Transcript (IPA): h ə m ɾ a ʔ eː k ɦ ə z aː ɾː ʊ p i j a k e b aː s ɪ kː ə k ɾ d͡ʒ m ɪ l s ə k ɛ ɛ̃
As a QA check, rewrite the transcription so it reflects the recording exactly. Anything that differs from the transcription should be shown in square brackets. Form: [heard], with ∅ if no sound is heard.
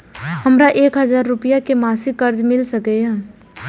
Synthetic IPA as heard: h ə m ɾ a ʔ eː k ɦ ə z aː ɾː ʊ p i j a k e [m] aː s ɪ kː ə [∅] ɾ d͡ʒ m ɪ l s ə k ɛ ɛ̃